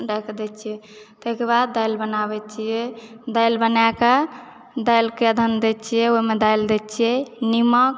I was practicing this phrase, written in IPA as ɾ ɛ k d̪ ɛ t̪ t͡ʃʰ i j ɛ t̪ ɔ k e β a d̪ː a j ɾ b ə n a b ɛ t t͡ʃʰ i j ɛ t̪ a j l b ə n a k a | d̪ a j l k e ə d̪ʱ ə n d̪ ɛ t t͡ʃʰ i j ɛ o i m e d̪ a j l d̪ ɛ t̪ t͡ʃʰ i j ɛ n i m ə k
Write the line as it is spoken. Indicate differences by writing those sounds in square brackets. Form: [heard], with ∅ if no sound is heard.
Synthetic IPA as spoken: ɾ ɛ k d̪ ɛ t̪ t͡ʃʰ i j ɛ t̪ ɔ k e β a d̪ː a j [l] b ə n a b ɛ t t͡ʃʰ i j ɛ [d̪] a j l b ə n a k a | d̪ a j l k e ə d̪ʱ ə n d̪ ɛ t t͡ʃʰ i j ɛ o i m e d̪ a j l d̪ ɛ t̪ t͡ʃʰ i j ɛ n i m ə k